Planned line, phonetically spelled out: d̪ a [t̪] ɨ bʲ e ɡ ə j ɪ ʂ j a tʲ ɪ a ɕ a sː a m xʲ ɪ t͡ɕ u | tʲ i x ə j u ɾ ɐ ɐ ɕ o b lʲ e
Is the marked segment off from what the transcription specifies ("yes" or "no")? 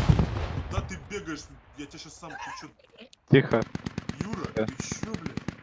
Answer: no